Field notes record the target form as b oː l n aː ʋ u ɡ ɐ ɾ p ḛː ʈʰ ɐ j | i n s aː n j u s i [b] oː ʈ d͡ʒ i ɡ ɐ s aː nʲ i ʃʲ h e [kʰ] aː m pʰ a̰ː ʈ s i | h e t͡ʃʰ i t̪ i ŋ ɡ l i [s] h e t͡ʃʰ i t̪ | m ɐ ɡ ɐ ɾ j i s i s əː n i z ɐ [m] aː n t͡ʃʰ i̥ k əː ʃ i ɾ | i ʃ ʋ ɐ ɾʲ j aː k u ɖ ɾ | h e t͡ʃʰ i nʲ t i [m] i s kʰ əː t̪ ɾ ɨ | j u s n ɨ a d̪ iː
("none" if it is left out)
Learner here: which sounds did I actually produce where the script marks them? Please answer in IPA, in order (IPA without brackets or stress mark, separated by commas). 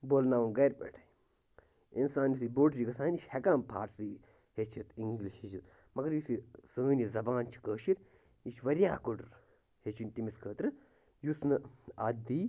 b, k, ʃ, b, m